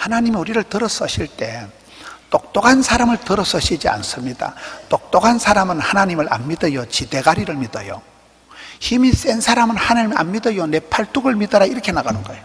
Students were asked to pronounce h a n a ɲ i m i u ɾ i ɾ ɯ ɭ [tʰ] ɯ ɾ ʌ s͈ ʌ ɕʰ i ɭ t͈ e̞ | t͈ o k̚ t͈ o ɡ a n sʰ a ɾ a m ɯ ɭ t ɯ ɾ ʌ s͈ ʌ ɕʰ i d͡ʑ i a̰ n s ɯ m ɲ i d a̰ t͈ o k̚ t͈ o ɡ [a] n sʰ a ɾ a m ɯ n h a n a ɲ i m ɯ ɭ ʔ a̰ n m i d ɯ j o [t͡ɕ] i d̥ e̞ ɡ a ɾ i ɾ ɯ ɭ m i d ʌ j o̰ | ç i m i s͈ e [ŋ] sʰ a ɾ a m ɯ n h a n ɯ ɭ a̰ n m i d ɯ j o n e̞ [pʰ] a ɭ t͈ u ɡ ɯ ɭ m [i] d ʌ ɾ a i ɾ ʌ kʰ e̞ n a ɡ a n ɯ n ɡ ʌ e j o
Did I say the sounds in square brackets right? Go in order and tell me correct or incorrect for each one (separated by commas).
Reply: incorrect, correct, correct, incorrect, correct, correct